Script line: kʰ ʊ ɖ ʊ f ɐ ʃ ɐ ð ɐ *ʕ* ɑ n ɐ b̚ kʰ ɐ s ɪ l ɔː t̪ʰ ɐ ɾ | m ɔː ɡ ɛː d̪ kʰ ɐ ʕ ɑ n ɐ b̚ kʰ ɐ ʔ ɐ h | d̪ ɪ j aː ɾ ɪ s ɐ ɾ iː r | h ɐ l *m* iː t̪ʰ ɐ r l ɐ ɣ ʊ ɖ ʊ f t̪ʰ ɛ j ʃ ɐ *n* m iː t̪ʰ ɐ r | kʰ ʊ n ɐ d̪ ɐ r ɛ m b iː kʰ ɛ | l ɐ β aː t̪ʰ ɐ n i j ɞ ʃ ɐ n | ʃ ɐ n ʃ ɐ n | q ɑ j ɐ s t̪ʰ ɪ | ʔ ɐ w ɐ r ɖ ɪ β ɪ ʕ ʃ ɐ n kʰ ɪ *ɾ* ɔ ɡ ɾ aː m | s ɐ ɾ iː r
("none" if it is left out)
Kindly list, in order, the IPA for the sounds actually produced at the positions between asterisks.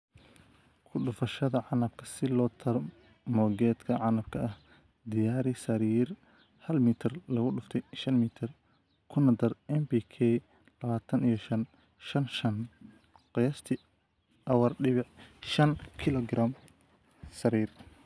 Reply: ʕ, m, n, l

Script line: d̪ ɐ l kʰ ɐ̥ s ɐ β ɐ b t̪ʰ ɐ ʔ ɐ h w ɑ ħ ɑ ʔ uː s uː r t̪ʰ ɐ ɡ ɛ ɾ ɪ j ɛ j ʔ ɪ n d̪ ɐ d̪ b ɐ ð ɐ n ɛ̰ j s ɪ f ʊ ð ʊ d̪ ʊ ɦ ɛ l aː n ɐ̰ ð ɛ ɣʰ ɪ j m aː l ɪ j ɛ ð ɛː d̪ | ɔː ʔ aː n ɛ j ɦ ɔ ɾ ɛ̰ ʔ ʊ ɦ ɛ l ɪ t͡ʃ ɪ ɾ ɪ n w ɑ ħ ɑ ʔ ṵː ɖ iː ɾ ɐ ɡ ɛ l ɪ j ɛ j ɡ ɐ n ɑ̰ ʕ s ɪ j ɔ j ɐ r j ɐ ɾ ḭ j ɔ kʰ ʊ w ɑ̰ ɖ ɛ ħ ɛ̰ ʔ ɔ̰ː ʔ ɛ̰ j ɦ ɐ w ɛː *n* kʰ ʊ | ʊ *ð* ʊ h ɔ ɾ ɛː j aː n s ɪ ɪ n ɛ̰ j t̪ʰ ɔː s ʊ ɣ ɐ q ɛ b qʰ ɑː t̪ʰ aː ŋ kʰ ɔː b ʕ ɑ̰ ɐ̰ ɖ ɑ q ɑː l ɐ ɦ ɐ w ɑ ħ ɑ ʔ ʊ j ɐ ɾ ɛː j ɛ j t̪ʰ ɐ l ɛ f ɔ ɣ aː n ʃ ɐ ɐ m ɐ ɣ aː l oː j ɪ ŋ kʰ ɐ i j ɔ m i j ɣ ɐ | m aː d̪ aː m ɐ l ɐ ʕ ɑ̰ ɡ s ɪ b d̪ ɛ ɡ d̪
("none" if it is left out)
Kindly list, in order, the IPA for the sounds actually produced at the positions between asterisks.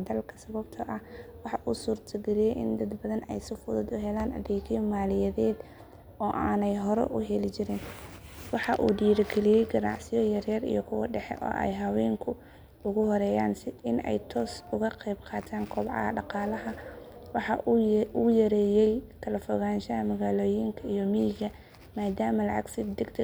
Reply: ŋ, ɣ

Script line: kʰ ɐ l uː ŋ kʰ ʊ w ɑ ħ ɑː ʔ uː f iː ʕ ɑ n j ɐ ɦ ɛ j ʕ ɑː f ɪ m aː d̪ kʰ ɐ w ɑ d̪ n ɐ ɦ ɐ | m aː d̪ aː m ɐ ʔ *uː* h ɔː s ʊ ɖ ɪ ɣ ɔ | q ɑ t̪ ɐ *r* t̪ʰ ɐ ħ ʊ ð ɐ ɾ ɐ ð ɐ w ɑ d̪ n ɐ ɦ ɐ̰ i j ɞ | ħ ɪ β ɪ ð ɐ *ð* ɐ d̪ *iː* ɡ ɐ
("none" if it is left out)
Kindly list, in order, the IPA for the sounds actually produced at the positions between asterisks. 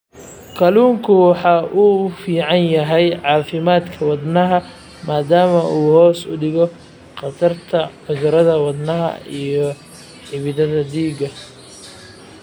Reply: uː, r, ð, iː

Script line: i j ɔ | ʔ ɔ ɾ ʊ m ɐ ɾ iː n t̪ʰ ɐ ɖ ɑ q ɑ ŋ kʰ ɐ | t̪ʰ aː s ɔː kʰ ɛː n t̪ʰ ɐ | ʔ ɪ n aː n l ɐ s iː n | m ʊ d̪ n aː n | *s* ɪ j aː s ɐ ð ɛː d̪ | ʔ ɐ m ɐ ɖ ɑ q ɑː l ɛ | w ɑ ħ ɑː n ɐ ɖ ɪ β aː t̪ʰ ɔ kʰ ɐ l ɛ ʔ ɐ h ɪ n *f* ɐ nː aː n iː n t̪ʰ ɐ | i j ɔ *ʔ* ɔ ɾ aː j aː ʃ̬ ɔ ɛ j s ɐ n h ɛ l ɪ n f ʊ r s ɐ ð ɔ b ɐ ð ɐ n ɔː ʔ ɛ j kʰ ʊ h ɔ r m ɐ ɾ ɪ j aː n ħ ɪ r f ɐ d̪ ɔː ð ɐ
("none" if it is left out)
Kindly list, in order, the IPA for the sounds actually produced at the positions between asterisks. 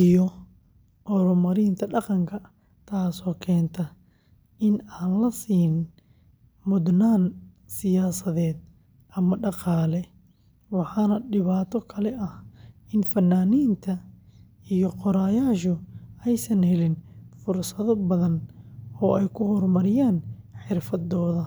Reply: s, f, q

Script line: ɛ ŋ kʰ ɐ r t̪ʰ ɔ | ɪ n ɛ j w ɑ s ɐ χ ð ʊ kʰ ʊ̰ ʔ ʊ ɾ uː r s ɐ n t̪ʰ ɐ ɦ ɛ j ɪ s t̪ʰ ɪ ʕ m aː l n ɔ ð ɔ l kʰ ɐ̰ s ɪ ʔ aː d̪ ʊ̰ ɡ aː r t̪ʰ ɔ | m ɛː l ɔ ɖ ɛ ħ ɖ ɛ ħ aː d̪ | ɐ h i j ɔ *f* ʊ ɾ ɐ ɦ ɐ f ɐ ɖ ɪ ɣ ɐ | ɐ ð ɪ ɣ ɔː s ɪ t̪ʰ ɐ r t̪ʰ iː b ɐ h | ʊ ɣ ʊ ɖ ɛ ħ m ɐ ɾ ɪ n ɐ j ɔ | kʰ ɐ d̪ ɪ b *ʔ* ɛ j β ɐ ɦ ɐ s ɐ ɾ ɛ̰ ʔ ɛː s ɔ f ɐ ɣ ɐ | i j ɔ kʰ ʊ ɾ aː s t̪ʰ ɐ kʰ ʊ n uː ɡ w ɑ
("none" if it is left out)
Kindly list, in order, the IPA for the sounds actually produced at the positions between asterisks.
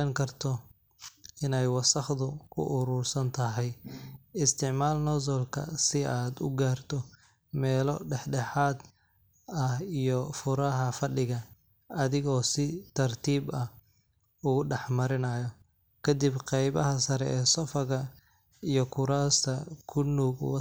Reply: f, q

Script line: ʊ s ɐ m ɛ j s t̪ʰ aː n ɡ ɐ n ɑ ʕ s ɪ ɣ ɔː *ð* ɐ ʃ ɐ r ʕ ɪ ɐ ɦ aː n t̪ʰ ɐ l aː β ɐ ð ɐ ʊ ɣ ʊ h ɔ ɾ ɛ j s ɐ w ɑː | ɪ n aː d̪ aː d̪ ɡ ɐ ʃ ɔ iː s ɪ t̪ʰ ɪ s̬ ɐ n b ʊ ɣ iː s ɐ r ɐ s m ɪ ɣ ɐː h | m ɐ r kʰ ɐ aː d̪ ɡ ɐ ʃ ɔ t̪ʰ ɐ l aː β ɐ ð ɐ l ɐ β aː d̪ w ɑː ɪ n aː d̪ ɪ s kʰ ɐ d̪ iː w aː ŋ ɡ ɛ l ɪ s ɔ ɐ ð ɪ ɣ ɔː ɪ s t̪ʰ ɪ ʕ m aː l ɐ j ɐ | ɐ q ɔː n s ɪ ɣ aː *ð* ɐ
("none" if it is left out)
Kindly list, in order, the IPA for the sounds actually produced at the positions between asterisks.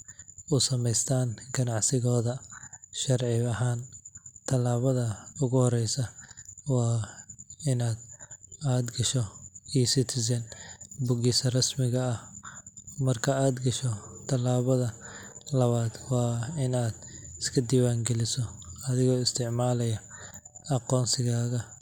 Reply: ð, ɣ

